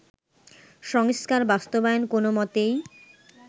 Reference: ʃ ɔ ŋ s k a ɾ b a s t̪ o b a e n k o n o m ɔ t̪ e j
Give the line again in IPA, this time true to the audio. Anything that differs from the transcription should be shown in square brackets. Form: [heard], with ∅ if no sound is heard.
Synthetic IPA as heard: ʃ ɔ ŋ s k a ɾ b a s t̪ o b a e n k o n o m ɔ t̪ e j